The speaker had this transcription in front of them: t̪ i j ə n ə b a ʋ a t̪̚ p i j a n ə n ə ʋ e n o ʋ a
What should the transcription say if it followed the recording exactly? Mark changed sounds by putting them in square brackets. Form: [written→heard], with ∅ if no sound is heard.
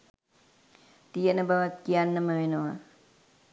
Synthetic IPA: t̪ i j ə n ə b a ʋ a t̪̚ [p→k] i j a [n→nː] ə [n→m] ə ʋ e n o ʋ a